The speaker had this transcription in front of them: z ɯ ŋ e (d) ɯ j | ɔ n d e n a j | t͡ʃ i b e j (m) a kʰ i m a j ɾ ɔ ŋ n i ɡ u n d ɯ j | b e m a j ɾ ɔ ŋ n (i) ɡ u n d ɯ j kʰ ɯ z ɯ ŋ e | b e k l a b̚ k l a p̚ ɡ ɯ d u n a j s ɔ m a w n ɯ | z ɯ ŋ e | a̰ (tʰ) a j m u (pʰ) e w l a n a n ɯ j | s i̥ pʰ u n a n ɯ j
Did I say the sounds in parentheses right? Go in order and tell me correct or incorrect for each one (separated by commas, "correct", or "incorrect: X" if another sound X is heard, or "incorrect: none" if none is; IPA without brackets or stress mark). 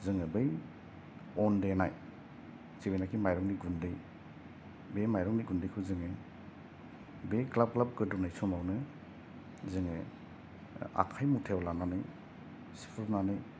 incorrect: b, incorrect: n, correct, incorrect: kʰ, incorrect: tʰ